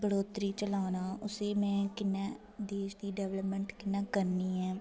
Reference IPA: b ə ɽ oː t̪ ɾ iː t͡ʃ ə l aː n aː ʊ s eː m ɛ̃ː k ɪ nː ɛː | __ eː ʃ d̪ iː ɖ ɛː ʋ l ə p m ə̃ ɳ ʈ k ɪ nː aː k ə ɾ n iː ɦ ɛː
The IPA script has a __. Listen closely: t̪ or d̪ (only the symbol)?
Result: d̪